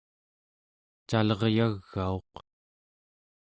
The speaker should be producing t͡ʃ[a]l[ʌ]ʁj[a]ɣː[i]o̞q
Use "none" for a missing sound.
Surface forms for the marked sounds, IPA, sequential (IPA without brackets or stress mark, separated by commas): a, ʌ, a, a